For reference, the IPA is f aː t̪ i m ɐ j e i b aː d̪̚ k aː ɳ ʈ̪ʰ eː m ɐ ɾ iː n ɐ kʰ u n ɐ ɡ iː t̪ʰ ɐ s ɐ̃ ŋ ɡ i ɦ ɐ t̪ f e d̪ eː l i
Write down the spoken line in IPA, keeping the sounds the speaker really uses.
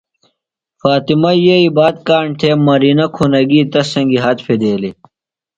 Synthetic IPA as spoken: f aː t̪ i m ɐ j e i b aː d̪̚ k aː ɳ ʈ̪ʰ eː m ɐ ɾ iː n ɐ kʰ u n ɐ ɡ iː t̪ ɐ s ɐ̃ ŋ ɡ i ɦ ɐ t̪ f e d̪ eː l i